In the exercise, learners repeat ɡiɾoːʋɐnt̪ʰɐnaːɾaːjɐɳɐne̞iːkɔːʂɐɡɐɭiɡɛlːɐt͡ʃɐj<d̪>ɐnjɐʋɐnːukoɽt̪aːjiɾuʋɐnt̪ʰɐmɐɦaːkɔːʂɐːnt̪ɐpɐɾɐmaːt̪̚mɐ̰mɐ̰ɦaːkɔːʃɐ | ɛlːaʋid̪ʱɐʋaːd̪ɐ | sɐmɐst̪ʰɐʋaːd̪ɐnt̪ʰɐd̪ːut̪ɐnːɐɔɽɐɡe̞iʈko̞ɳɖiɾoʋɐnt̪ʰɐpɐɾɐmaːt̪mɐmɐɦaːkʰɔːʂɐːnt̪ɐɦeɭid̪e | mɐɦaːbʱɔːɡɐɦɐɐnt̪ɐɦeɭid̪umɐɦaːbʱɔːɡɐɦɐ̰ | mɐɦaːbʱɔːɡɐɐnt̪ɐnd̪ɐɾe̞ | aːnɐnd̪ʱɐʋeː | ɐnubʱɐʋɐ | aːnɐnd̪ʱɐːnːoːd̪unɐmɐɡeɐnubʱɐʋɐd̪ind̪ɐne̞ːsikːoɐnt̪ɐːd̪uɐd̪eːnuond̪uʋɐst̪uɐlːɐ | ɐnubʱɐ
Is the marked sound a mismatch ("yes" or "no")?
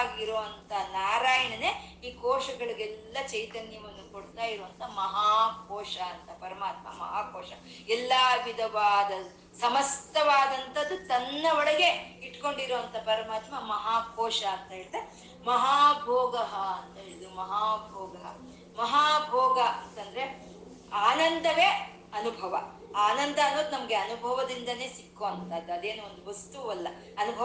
yes